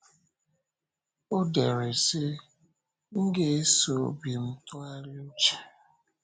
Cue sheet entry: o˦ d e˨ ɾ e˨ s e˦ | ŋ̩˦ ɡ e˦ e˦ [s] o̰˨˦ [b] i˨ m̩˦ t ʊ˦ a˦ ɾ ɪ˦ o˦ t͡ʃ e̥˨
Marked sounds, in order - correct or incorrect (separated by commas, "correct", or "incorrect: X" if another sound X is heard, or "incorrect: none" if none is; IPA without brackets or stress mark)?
correct, correct